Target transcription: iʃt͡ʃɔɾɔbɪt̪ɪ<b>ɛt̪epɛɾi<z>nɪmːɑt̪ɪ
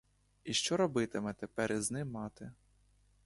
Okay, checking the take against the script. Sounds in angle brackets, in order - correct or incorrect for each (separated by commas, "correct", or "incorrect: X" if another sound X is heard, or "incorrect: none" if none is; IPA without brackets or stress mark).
incorrect: m, correct